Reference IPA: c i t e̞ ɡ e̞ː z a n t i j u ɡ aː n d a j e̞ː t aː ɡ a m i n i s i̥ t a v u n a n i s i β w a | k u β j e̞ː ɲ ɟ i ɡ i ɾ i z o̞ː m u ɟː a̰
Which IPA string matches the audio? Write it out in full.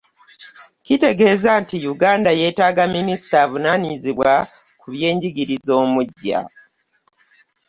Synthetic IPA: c i t e̞ ɡ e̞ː z a n t i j u ɡ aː n d a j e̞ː t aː ɡ a m i n i s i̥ t a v u n a n i z i β w a | k u β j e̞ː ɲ ɟ i ɡ i ɾ i z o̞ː m u ɟː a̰